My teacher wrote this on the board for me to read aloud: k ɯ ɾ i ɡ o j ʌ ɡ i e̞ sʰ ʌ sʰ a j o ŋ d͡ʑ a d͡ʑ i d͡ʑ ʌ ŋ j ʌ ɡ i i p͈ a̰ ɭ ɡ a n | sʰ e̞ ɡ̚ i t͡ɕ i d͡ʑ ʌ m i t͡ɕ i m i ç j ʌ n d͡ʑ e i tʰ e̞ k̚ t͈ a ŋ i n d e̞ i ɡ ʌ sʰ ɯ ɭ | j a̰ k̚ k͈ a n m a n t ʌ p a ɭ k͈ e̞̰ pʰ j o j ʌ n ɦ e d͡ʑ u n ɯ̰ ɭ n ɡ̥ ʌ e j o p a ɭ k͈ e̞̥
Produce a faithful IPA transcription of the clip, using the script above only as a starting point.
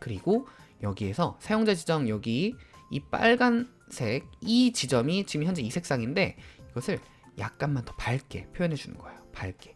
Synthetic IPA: k ɯ ɾ i ɡ o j ʌ ɡ i e̞ sʰ ʌ sʰ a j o ŋ d͡ʑ a d͡ʑ i d͡ʑ ʌ ŋ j ʌ ɡ i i p͈ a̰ ɭ ɡ a n | sʰ e̞ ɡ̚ i t͡ɕ i d͡ʑ ʌ m i t͡ɕ i m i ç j ʌ n d͡ʑ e i sʰ e̞ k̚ s͈ a ŋ i n d e̞ i ɡ ʌ sʰ ɯ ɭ | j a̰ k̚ k͈ a n m a n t ʌ p a ɭ k͈ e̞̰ pʰ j o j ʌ n ɦ e d͡ʑ u n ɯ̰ n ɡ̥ ʌ e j o p a ɭ k͈ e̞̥

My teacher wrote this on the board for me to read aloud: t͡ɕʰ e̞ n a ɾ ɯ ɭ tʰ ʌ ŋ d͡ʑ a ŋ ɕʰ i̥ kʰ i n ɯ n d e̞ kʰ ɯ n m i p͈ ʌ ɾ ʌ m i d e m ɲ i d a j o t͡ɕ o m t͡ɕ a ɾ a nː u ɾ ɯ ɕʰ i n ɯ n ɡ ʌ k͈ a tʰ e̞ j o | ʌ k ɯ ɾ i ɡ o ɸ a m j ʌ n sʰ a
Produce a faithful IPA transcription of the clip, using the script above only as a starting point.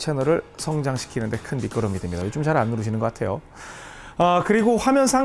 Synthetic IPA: t͡ɕʰ e̞ n ʌ ɾ ɯ ɭ sʰ ʌ ŋ d͡ʑ a ŋ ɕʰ i̥ kʰ i n ɯ n d e̞ kʰ ɯ n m i k͈ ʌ ɾ ʌ m i d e m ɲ i d a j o t͡ɕ o m t͡ɕ a ɾ a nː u ɾ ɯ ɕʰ i n ɯ n ɡ ʌ k͈ a tʰ e̞ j o | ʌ k ɯ ɾ i ɡ o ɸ a m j ʌ n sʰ a

